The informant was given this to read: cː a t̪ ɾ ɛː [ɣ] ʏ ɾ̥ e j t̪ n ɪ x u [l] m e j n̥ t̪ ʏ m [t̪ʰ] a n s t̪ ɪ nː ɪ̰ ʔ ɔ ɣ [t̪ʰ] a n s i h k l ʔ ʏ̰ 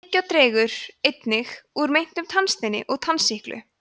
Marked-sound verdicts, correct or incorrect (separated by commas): correct, incorrect, correct, correct